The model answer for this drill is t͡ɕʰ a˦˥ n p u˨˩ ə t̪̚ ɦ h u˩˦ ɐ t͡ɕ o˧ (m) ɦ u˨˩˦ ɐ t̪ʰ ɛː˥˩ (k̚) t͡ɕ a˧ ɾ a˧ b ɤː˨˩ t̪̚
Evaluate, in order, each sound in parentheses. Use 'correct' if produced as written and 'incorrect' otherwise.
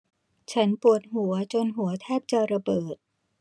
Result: incorrect, incorrect

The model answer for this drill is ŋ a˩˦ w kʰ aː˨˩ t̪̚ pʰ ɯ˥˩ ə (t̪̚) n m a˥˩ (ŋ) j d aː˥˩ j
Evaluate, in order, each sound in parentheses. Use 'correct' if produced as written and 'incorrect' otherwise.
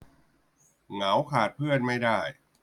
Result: incorrect, incorrect

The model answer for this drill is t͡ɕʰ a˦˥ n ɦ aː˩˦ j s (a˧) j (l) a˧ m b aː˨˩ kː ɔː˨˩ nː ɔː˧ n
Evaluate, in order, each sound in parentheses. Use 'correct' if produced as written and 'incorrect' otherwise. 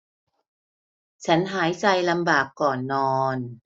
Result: correct, correct

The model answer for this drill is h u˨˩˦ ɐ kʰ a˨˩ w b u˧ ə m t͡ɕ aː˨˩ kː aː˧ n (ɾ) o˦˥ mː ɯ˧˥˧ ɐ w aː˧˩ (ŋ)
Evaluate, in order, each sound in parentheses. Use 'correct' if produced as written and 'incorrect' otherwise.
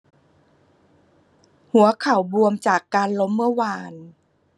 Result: incorrect, incorrect

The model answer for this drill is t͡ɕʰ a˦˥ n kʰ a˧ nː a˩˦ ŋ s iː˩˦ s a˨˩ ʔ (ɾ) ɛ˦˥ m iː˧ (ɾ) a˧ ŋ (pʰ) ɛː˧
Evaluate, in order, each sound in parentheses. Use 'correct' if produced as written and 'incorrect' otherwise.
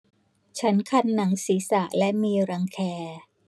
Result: incorrect, correct, incorrect

